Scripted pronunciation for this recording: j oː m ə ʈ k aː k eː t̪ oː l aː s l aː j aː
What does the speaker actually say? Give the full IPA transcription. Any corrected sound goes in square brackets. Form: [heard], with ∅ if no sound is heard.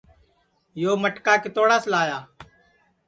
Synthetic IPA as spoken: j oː m ə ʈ k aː k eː t̪ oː [ɽ] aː s l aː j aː